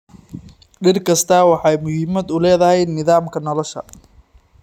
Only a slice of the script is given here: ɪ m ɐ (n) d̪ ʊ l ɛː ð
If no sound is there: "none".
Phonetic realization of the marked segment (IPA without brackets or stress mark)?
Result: none